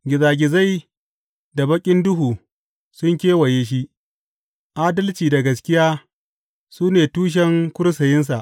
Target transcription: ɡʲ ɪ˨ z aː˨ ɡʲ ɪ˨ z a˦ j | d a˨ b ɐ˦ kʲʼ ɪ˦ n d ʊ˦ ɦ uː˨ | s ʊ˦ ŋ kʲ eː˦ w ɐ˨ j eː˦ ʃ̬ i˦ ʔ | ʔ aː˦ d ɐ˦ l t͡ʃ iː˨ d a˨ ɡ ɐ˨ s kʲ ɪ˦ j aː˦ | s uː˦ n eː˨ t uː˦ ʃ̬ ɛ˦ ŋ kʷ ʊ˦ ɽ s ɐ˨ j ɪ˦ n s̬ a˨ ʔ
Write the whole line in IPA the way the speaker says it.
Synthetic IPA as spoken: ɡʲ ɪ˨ z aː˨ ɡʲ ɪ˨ z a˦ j | d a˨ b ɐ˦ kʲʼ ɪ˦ n d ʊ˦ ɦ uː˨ | s ʊ˦ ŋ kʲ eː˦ w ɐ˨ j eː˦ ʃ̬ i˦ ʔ | ʔ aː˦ d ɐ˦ l t͡ʃ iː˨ d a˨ ɡ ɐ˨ s kʲ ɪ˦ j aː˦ | s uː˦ n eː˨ t uː˦ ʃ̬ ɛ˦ ŋ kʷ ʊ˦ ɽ s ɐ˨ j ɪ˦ n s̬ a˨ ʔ